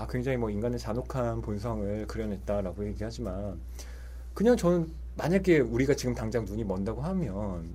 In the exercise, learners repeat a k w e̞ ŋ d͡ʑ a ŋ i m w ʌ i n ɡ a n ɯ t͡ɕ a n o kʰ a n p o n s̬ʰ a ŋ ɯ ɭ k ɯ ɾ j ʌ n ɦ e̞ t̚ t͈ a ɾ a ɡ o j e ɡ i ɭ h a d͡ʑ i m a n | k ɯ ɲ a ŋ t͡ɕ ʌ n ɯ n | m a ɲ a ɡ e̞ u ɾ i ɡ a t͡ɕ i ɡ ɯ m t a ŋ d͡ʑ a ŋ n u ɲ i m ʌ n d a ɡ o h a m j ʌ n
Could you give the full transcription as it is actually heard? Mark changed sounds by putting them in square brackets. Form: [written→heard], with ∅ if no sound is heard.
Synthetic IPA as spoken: a k w e̞ ŋ d͡ʑ a ŋ i m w ʌ i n ɡ a n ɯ t͡ɕ a n o kʰ a n p o n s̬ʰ a ŋ ɯ ɭ k ɯ ɾ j ʌ n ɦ e̞ t̚ t͈ a ɾ a ɡ o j e ɡ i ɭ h a d͡ʑ i m a n | k ɯ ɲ a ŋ t͡ɕ ʌ n ɯ n | m a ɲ a ɡ e̞ u ɾ i ɡ a t͡ɕ i ɡ ɯ m t a ŋ d͡ʑ a ŋ n u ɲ i m ʌ n d a ɡ o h a m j ʌ n